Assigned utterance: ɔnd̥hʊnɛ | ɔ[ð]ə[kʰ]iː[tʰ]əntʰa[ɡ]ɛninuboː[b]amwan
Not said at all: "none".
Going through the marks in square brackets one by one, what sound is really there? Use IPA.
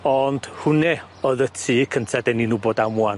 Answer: ð, tʰ, kʰ, d, d

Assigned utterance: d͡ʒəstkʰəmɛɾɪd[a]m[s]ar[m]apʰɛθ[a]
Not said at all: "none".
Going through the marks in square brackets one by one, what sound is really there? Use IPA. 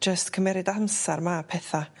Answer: a, s, m, a

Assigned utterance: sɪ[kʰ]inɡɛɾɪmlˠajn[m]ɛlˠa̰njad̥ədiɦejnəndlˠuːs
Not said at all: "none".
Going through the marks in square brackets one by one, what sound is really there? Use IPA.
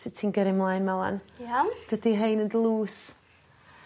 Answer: tʰ, m

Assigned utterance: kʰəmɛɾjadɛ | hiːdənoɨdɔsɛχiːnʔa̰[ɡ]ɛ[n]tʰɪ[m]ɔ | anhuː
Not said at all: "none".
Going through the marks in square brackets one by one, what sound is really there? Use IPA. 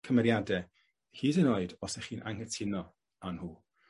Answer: ŋ, none, n

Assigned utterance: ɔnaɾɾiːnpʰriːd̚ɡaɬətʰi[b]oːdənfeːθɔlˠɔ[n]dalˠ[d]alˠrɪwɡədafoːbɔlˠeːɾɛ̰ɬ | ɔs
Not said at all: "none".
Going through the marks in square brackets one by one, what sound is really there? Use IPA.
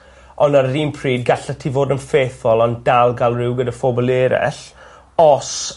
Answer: v, n, ɡ

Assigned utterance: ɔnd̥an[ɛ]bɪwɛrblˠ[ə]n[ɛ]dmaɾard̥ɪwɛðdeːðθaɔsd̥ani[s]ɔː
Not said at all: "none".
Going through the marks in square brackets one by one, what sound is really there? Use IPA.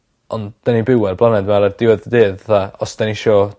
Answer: i, a, ɛ, ʃ

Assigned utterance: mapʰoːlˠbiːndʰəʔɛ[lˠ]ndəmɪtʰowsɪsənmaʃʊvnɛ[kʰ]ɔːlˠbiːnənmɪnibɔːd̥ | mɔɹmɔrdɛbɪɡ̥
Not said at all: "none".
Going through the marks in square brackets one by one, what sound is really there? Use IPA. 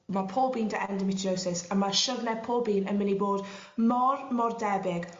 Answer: none, pʰ

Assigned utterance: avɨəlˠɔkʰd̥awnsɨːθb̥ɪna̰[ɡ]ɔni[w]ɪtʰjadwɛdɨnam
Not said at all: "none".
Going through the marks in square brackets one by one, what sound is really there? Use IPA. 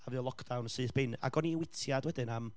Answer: ɡ, w

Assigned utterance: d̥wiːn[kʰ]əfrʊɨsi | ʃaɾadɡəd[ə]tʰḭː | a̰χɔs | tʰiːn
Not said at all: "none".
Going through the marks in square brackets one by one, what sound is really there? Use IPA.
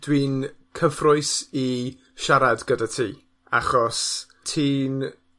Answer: kʰ, a

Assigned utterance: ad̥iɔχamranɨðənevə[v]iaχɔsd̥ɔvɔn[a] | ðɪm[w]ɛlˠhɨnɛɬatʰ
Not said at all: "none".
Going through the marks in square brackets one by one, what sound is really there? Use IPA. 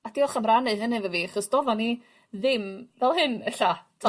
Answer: v, i, v

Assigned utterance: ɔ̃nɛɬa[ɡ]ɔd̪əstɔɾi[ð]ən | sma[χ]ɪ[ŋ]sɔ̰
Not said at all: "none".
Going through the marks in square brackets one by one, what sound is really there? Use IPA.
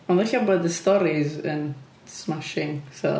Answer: b, z, ʃ, ŋ

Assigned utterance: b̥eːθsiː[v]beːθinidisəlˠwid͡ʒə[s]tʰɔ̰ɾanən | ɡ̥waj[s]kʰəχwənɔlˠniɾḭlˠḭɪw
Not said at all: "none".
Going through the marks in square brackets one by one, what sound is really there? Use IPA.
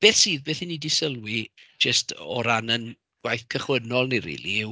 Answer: ð, s, θ

